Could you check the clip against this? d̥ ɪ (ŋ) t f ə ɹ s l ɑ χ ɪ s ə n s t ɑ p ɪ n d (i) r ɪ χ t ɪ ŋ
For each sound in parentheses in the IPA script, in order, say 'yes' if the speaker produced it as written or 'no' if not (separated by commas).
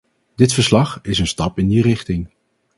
no, yes